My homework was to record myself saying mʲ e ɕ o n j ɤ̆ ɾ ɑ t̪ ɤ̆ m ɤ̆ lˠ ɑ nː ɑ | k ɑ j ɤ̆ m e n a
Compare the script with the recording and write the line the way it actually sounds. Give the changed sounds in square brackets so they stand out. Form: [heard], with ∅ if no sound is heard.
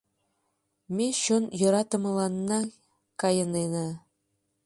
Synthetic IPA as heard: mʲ e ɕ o n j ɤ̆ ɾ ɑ t̪ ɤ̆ m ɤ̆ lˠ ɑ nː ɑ | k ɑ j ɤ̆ [n] e n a